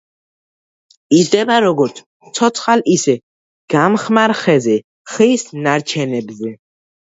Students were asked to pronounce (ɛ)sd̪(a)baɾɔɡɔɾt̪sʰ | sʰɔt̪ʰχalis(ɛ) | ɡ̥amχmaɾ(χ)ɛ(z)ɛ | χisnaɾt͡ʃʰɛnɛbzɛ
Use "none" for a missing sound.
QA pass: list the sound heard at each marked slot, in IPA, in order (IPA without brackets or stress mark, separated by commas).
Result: i, ɛ, ɛ, χ, z